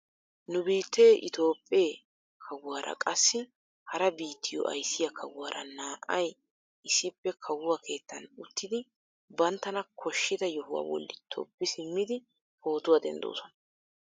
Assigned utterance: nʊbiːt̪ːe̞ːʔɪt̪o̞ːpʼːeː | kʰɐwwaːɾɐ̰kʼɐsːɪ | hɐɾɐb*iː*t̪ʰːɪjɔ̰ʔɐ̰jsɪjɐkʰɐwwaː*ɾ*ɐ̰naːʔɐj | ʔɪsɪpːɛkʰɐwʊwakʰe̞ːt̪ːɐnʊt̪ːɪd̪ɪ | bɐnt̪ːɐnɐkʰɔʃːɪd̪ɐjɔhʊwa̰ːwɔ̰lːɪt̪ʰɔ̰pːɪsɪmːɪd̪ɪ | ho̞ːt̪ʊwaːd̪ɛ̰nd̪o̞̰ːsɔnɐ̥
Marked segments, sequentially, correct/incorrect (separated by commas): correct, correct